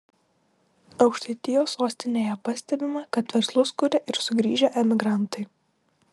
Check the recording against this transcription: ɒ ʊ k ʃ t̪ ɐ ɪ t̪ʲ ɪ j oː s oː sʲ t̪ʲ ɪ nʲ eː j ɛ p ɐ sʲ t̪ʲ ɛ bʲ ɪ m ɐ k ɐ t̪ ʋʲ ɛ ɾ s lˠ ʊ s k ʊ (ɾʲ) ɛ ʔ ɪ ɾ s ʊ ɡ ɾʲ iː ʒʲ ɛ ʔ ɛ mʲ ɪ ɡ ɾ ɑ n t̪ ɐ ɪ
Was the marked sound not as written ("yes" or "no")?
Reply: no